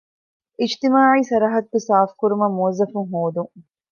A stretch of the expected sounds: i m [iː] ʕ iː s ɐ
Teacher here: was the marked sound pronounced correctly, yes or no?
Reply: no